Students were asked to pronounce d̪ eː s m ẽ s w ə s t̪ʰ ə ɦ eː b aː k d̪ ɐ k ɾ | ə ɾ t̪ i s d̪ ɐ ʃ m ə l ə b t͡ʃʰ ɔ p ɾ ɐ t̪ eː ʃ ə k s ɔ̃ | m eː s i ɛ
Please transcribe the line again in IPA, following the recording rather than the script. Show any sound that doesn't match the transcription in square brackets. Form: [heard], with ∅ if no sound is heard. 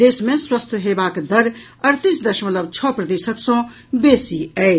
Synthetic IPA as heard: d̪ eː s m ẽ s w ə s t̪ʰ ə ɦ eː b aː k d̪ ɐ [∅] ɾ | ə ɾ t̪ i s d̪ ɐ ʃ m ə l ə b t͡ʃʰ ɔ p ɾ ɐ [d̪] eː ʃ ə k s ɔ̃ | [b] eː s i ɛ